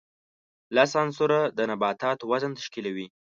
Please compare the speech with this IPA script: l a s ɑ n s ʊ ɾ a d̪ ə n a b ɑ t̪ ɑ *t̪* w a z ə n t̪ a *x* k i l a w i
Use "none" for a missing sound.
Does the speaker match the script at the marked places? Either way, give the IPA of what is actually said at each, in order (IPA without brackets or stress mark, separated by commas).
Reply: t̪, ʃ